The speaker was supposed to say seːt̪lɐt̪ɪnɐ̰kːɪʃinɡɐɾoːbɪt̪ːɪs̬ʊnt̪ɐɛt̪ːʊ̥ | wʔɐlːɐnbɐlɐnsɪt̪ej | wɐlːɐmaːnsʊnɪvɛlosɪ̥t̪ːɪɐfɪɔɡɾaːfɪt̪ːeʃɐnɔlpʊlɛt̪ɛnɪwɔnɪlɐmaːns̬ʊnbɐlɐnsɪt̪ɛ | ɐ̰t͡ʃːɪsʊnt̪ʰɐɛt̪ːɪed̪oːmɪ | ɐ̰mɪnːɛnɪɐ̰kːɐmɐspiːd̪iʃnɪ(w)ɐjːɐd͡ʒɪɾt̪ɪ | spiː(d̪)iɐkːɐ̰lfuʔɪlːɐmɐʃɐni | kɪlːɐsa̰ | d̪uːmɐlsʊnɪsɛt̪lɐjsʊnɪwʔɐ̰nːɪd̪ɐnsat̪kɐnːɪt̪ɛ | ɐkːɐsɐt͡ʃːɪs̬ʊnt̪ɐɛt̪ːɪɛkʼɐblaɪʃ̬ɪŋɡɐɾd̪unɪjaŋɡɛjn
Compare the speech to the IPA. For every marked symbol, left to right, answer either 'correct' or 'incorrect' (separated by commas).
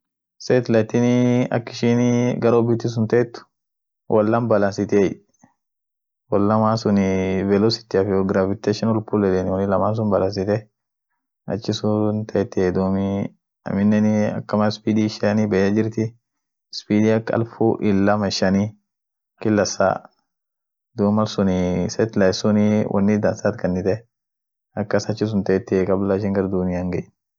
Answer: incorrect, correct